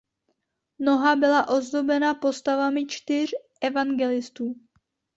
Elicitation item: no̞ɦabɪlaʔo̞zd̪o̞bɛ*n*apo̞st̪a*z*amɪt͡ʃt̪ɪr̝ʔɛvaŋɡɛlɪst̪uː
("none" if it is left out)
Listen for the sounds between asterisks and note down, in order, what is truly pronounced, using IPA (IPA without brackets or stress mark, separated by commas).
n, v